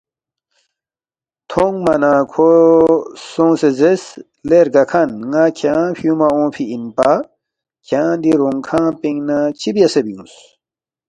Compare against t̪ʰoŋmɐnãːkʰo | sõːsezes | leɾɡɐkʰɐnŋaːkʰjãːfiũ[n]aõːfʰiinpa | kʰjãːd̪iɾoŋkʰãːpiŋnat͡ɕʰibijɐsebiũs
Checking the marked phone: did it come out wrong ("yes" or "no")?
yes